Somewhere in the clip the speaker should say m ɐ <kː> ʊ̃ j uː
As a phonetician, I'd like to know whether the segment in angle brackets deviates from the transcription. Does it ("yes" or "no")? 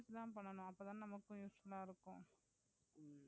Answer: no